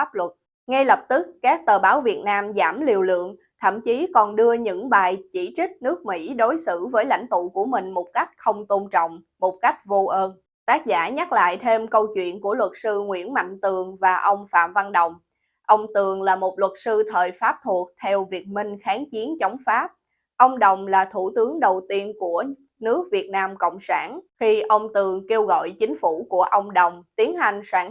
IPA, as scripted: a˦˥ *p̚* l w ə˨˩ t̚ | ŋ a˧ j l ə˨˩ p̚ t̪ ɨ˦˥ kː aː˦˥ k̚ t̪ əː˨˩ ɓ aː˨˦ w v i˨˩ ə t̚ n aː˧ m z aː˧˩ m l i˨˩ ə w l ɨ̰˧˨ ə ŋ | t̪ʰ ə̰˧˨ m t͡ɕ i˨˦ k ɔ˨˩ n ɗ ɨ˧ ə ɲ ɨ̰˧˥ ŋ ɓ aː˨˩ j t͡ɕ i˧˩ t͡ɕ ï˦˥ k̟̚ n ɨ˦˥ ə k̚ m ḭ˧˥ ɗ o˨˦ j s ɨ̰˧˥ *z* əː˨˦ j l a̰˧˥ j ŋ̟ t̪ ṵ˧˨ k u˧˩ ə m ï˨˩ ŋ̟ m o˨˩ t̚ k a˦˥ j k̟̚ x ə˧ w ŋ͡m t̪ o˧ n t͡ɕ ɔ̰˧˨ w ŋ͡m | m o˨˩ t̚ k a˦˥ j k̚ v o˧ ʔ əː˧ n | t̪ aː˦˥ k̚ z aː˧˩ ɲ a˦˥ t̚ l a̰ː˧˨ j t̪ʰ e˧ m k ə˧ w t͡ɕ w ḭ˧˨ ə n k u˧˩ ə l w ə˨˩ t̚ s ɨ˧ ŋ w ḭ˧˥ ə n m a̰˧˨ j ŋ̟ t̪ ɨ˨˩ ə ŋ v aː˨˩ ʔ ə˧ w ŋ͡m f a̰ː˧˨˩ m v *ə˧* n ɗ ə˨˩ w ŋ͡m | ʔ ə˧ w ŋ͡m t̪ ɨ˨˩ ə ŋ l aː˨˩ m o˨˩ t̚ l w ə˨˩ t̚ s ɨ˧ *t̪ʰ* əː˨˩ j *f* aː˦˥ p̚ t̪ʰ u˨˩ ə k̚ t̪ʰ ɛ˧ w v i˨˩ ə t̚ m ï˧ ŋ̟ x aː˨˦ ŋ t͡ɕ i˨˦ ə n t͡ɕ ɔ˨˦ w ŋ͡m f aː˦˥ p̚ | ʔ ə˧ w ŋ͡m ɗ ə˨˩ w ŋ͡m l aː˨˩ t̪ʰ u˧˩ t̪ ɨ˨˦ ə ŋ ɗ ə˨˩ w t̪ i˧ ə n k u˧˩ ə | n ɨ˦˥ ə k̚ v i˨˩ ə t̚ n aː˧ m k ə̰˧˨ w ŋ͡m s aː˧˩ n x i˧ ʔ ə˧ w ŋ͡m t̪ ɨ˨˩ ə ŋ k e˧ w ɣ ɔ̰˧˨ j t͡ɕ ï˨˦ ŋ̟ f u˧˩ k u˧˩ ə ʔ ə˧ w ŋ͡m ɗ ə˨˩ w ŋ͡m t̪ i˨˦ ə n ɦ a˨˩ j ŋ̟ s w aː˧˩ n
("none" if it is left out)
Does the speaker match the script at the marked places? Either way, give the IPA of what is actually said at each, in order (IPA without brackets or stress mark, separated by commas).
p̚, v, a˧, t̪ʰ, f